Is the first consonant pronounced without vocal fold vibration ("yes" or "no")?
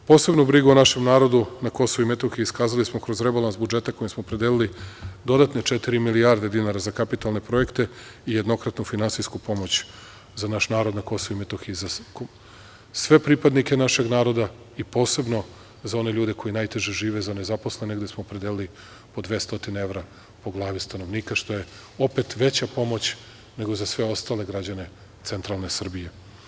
yes